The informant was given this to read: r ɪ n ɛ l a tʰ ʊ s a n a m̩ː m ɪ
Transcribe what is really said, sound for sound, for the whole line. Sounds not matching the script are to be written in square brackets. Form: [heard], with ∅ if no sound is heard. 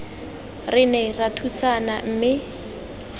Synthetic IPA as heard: r ɪ n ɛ [r] a tʰ [u] s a n a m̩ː m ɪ